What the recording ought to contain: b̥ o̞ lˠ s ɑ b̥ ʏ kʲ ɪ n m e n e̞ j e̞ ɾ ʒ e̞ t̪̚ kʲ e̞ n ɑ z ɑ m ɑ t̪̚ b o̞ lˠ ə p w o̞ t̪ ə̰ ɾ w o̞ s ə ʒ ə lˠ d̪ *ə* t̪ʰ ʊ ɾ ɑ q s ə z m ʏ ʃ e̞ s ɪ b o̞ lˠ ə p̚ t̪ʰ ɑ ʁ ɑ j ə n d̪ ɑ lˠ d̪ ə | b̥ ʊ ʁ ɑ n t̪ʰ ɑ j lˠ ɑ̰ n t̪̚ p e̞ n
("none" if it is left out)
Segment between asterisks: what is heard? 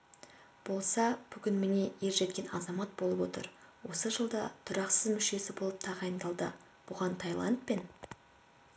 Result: ɑ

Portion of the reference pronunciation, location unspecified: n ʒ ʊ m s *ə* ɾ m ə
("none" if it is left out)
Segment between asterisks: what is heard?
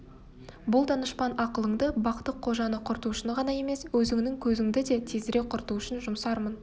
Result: ɑ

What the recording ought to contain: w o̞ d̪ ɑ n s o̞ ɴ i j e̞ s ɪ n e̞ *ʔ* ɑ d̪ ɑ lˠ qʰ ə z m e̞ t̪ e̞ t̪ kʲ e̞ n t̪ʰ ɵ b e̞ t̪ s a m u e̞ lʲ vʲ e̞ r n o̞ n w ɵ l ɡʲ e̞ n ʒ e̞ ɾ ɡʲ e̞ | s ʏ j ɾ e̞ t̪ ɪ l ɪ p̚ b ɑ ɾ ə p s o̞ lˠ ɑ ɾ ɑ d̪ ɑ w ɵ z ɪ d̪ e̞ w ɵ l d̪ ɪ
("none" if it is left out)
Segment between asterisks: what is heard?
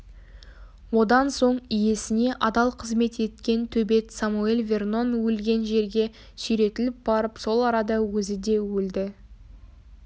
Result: ʔ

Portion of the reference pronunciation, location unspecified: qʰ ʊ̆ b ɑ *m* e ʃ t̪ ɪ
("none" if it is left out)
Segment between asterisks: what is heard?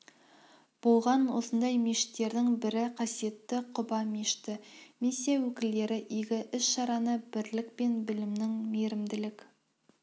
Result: m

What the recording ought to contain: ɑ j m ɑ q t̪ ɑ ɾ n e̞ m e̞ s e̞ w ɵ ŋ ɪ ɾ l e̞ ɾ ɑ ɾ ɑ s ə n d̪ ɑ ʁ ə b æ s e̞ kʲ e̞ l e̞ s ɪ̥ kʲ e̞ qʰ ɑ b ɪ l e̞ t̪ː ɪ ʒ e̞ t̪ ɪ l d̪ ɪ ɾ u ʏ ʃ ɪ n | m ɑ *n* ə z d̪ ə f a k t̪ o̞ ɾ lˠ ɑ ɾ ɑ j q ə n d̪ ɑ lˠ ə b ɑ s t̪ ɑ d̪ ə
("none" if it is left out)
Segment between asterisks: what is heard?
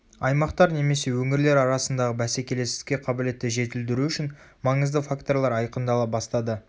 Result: ɴ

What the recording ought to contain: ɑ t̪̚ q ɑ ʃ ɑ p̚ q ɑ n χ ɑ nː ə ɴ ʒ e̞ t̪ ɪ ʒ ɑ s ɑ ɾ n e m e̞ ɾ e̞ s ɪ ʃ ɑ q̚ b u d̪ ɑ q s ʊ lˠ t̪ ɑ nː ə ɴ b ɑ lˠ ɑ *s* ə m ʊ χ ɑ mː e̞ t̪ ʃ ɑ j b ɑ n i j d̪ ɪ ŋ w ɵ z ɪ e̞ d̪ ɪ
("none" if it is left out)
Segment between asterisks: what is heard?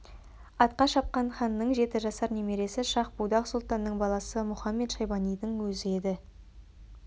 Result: s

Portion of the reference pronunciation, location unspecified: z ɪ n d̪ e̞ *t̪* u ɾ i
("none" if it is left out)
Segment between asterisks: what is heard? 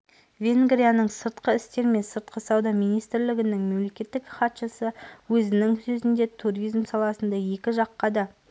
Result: t̪ʰ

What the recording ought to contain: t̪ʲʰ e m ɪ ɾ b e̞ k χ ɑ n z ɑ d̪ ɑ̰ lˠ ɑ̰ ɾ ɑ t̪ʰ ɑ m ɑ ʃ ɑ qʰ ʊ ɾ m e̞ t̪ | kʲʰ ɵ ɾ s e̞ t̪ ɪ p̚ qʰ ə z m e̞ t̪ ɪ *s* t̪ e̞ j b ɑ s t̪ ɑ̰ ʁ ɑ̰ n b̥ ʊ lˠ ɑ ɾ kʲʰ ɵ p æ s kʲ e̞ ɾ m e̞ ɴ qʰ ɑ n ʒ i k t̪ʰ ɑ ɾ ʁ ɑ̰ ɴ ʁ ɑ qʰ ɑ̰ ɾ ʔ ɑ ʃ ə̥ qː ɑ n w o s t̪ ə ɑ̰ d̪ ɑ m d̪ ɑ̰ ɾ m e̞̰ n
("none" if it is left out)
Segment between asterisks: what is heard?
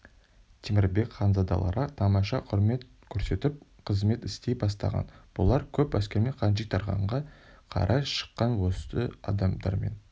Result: s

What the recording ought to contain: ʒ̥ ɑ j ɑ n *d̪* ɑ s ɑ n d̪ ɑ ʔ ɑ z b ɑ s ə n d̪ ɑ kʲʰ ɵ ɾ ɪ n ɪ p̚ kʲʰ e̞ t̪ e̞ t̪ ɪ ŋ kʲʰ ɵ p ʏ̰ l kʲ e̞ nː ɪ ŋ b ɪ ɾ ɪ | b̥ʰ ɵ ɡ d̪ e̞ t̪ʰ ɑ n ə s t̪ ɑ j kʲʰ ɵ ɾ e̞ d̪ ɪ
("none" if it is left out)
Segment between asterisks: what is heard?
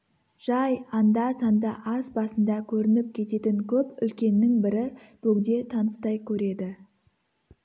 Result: d̪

